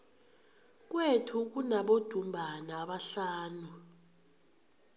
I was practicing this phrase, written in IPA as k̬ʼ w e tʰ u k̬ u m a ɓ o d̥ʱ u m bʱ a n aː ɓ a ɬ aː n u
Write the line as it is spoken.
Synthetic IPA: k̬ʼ w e tʰ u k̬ u n a ɓ o d̥ʱ u m bʱ a n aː ɓ a ɬ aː n u